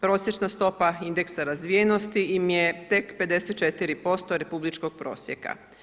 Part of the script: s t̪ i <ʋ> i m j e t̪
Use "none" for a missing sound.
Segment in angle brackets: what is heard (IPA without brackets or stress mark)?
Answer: none